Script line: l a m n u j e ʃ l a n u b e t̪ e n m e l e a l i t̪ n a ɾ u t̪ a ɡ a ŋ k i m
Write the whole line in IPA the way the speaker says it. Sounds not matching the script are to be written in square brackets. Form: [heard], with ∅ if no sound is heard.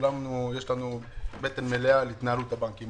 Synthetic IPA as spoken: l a m n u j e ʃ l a n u b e t̪ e n m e l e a l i t̪ n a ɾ u t̪ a [b] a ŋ k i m